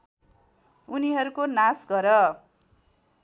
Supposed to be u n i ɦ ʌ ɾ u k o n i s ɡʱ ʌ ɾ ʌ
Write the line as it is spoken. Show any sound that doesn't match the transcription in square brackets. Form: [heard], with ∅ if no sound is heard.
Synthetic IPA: u n i ɦ ʌ ɾ u k o n [a] s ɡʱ ʌ ɾ ʌ